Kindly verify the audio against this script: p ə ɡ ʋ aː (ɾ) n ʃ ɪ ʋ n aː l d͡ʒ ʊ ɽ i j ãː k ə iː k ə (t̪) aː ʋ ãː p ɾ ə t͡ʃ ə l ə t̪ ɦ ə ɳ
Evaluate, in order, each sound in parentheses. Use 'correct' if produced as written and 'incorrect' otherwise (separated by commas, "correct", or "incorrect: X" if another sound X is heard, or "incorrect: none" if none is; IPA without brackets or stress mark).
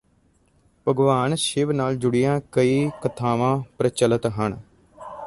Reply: incorrect: none, incorrect: t̪ʰ